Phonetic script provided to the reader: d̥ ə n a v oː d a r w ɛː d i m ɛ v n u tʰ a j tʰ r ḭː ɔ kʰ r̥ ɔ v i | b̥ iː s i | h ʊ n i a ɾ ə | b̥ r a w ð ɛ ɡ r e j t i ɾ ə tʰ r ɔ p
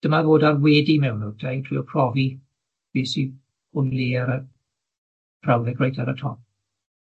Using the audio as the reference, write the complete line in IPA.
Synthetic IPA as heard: d̥ ə m a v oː d a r w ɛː d i m ɛ w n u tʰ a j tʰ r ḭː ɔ pʰ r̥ ɔ v i | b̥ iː s i | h ʊ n i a ɾ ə | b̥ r a w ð ɛ ɡ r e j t a ɾ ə tʰ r ɔ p